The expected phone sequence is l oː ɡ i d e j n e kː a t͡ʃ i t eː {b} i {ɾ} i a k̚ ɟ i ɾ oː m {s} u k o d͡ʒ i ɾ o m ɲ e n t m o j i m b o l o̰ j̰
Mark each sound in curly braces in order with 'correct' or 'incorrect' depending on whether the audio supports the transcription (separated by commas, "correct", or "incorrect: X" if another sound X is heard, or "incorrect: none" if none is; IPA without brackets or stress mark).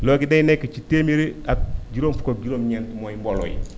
incorrect: m, correct, incorrect: f